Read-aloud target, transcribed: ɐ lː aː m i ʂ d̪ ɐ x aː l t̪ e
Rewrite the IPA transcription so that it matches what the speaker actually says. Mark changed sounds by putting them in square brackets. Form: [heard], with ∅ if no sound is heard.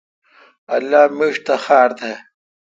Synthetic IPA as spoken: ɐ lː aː m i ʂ [t̪] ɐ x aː [ɾ] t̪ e